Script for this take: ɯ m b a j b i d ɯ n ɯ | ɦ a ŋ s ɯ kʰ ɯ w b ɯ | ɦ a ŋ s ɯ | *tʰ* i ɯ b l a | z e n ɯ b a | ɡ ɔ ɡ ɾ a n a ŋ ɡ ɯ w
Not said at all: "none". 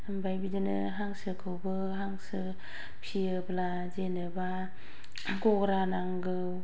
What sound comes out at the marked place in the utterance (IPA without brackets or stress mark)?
pʰ